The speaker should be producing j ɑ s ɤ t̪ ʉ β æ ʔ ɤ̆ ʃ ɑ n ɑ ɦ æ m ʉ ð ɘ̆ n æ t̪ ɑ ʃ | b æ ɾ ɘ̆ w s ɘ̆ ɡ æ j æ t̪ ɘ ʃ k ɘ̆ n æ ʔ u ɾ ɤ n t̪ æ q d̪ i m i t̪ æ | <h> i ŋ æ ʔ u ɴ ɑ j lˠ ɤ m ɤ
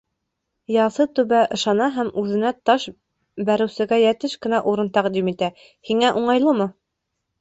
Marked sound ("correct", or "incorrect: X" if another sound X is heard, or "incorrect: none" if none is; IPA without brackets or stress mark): correct